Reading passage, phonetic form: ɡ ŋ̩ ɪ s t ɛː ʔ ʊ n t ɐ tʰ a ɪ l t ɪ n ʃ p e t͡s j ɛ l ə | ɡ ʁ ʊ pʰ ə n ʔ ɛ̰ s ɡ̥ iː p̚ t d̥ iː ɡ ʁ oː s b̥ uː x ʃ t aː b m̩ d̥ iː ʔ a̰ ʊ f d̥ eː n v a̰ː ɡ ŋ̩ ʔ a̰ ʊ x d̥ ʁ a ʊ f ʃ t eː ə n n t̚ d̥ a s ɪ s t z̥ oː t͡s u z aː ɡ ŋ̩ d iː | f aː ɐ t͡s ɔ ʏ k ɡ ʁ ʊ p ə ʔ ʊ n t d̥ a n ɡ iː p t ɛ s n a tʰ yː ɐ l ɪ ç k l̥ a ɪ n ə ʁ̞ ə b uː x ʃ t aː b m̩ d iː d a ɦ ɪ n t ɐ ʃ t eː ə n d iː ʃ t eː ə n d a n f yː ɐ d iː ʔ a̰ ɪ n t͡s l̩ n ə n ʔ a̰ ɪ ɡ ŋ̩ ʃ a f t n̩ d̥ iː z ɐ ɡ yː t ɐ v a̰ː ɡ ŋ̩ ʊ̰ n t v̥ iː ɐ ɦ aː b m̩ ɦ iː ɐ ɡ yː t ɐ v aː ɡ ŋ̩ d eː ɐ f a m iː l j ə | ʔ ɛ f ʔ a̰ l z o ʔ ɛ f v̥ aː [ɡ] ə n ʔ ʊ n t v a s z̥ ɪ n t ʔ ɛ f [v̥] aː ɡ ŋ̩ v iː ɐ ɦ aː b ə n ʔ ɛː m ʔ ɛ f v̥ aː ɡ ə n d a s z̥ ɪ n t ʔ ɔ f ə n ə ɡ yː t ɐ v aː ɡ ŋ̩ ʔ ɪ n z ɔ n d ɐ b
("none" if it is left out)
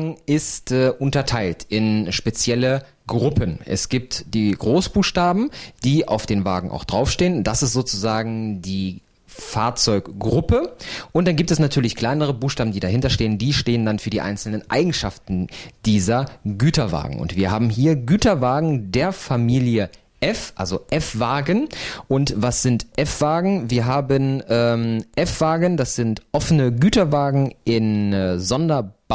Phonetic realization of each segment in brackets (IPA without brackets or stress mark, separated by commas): ɡ, v̥